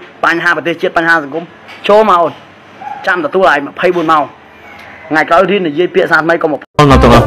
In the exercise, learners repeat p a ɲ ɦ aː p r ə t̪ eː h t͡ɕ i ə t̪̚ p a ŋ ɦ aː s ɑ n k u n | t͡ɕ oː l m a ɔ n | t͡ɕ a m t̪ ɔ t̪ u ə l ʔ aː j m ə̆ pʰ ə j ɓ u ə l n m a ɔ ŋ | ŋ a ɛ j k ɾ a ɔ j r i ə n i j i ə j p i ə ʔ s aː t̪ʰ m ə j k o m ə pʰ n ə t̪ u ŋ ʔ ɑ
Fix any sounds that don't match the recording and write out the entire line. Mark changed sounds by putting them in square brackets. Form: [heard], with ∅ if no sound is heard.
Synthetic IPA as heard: p a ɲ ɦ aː p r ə t̪ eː h t͡ɕ i ə t̪̚ p a [ɲ] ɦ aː s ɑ [ŋ] k u [m] | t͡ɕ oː l m a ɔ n | t͡ɕ a m t̪ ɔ t̪ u ə l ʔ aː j m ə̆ pʰ ə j ɓ u ə [∅] n m a ɔ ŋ | ŋ a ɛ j k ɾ a ɔ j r i ə n i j i ə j p i ə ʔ s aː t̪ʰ m ə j k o m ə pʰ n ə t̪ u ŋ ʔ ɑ